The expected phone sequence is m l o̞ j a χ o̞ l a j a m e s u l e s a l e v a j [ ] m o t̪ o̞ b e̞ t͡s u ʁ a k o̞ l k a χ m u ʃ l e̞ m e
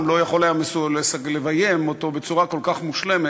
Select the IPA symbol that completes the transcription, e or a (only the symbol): e